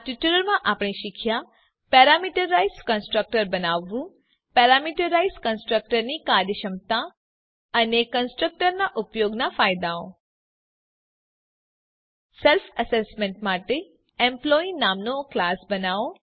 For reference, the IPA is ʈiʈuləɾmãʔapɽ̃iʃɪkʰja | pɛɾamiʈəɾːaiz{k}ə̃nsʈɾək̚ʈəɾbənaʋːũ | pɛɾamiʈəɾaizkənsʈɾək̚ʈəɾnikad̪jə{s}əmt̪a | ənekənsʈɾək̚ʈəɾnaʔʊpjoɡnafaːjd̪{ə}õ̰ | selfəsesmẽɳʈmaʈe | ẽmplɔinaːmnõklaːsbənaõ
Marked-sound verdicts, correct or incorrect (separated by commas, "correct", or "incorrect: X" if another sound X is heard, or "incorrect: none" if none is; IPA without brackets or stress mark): correct, incorrect: ʃ, incorrect: a